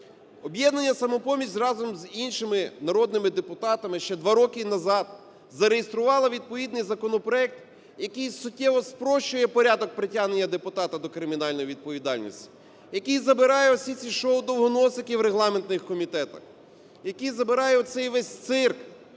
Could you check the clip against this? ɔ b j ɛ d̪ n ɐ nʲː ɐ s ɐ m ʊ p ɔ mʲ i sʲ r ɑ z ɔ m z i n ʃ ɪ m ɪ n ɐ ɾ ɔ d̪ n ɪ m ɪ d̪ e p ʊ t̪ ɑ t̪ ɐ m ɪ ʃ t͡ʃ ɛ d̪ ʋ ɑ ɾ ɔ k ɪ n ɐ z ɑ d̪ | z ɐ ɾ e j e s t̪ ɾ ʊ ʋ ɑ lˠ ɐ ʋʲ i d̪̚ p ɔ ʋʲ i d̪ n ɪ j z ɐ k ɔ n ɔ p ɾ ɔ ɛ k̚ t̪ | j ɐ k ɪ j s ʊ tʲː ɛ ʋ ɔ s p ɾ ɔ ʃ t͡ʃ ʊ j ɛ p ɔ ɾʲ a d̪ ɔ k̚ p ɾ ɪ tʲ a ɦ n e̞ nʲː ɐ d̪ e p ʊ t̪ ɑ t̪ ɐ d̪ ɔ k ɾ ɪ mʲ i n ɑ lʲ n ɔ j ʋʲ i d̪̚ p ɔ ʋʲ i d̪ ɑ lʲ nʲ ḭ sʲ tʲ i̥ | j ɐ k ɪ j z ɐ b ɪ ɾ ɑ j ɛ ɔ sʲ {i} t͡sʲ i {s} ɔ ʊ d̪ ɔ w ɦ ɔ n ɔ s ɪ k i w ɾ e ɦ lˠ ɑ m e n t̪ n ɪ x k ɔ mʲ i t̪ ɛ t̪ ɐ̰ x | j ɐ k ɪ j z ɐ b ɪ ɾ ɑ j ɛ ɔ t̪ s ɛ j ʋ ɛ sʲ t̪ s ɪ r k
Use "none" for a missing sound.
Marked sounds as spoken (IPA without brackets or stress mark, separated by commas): i, ʃ